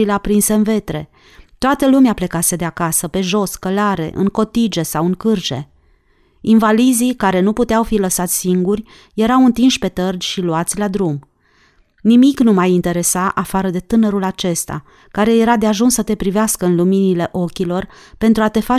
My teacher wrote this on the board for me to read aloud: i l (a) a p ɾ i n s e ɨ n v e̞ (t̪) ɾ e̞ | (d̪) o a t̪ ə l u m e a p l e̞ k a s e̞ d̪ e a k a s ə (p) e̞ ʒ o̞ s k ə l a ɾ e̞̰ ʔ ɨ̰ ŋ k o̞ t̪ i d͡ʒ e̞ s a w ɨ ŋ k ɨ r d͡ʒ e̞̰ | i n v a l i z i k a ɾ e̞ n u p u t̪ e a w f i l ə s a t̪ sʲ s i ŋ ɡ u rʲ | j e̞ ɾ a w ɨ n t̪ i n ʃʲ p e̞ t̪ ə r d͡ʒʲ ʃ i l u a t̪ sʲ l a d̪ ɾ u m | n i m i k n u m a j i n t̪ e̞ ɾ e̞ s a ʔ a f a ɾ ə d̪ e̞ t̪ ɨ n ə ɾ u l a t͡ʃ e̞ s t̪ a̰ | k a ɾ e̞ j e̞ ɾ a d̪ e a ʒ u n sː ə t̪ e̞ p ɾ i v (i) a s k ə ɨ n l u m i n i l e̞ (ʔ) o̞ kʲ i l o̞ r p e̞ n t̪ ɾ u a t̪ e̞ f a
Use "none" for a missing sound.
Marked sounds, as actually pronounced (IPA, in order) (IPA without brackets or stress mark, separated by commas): e, t̪, t̪, p, e, ʔ